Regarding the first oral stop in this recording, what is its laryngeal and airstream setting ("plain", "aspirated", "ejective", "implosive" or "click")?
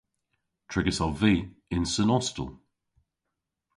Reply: aspirated